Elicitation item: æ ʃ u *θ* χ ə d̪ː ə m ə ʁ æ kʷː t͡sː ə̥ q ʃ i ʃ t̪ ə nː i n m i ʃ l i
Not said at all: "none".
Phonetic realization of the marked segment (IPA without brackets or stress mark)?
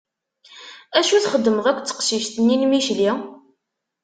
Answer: θ